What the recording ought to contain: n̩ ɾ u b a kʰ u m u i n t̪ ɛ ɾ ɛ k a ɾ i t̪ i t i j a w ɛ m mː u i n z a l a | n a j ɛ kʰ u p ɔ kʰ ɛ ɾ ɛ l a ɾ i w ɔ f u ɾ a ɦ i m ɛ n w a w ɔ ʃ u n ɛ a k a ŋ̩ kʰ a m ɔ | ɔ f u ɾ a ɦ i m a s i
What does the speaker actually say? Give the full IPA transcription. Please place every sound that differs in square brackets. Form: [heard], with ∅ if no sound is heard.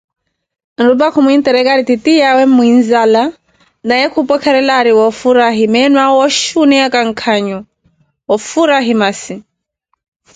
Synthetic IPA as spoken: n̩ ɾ u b a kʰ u m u i n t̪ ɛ ɾ ɛ k a ɾ i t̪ i t i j a w ɛ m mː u i n z a l a | n a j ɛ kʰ u p ɔ kʰ ɛ ɾ ɛ l a ɾ i w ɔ f u ɾ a ɦ i m ɛ n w a w ɔ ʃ u n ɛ a k a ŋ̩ kʰ a [ɲ] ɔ | ɔ f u ɾ a ɦ i m a s i